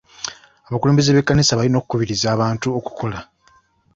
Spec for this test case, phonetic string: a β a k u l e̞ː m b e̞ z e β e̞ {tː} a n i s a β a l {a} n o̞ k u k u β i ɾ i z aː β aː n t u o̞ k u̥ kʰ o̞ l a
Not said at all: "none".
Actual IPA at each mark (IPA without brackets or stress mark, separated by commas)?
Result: kː, i